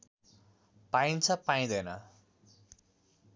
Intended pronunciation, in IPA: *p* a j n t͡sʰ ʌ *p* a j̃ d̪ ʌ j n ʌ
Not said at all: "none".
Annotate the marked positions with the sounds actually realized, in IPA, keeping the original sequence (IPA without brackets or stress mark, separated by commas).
p, p